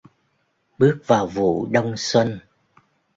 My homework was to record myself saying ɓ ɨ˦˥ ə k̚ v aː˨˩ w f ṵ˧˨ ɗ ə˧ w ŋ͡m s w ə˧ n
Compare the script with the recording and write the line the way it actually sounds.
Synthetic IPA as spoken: ɓ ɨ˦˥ ə k̚ v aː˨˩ w v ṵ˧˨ ɗ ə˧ w ŋ͡m s w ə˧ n